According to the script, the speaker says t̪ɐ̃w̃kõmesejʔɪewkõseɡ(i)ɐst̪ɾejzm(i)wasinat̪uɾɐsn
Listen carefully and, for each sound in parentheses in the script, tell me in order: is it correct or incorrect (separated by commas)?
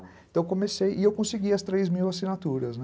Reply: correct, correct